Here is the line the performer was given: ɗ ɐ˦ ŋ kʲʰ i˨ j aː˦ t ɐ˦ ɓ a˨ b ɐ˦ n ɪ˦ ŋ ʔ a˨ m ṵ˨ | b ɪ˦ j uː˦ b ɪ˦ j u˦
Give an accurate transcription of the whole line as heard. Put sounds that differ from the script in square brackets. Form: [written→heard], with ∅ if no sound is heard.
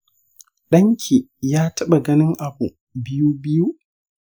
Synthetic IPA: ɗ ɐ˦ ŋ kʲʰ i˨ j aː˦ t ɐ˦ ɓ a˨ [b→ɡ] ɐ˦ n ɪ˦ ŋ ʔ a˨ [m→b] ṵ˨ | b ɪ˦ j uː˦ b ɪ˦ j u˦